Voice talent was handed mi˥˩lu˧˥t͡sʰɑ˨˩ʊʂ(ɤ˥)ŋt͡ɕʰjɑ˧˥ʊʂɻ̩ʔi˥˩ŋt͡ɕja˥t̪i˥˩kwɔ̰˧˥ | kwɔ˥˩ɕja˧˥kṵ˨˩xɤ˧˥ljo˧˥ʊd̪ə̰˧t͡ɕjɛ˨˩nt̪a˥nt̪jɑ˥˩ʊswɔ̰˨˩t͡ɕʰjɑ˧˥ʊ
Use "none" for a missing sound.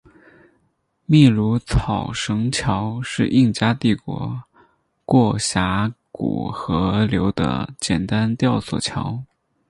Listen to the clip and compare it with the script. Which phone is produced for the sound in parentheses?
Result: ɤ˧˥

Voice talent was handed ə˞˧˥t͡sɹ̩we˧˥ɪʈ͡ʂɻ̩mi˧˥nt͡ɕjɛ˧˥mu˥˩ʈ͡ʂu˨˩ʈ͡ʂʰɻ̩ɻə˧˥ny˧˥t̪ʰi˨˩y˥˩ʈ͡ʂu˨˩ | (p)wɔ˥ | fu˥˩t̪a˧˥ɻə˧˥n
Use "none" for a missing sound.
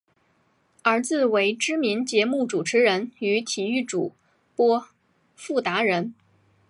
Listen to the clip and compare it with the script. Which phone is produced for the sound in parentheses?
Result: p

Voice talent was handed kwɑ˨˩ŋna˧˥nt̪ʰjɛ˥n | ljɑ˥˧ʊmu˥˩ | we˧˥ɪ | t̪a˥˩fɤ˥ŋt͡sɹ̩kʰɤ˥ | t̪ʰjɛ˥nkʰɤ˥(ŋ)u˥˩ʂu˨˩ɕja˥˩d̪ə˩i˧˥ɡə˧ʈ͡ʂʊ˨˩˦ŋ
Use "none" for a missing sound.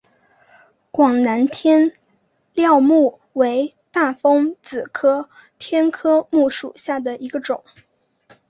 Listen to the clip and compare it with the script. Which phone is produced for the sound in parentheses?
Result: m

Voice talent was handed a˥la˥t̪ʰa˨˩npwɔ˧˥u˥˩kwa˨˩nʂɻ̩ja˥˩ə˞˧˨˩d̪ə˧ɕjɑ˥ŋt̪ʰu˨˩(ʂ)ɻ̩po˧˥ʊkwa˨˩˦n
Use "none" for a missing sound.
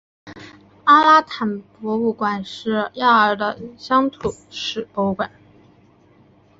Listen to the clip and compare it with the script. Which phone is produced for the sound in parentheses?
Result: ʂ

